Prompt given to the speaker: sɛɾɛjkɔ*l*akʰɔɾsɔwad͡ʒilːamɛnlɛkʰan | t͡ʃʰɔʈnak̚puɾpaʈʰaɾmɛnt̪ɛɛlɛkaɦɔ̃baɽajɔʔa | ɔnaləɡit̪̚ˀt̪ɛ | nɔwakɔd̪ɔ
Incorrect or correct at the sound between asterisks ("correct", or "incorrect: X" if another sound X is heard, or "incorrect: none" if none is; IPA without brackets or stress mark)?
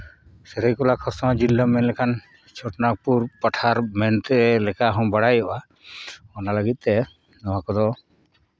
correct